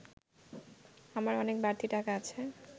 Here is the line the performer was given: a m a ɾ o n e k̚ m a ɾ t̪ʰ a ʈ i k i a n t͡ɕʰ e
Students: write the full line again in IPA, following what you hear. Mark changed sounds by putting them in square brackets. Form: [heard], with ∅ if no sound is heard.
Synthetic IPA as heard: a m a ɾ [ɔ] n e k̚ [b] a ɾ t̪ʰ [i] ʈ [a] k [a] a [∅] t͡ɕʰ e